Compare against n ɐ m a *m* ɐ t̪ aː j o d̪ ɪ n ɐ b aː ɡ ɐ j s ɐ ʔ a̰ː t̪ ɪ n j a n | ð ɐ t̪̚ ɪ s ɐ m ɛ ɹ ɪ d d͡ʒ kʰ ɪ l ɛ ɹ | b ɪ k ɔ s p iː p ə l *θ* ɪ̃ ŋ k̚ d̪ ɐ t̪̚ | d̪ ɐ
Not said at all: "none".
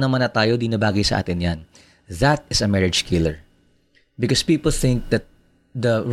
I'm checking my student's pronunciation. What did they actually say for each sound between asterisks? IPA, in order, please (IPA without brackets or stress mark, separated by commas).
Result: n, θ